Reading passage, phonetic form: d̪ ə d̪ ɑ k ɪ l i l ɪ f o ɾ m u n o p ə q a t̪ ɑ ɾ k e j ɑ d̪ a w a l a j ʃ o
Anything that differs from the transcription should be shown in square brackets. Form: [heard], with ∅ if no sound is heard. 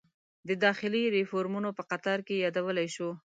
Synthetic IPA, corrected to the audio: d̪ ə d̪ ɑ [x] ɪ l i [ɾ] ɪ f o ɾ m u n o p ə q a t̪ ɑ ɾ k e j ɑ d̪ a w [ə] l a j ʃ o